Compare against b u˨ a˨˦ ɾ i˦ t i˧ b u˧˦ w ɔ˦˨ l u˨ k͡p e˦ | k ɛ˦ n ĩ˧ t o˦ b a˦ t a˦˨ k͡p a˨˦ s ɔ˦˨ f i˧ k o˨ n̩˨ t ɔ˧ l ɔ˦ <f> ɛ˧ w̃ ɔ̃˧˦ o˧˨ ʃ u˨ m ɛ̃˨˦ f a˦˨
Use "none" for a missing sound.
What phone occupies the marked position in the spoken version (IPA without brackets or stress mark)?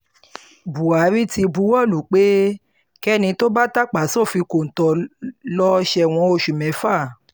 ʃ